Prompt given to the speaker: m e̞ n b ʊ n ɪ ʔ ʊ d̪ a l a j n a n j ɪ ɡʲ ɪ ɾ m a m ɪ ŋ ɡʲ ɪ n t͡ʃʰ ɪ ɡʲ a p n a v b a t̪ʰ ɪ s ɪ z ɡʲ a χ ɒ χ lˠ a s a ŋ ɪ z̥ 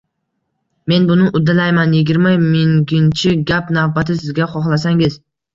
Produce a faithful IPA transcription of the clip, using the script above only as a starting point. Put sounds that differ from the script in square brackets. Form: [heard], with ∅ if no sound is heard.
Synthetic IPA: m e̞ n b ʊ n ɪ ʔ ʊ d̪ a l a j [m] a n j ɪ ɡʲ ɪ ɾ m a m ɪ ŋ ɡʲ ɪ n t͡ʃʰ ɪ ɡʲ a p n a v b a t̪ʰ ɪ s ɪ z ɡʲ a χ ɒ χ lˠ a s a ŋ ɪ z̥